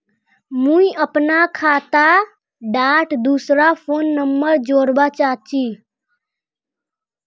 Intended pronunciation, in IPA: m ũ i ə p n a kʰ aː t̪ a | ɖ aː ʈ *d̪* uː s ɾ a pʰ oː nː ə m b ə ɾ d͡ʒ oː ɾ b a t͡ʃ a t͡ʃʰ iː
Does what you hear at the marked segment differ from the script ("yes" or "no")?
no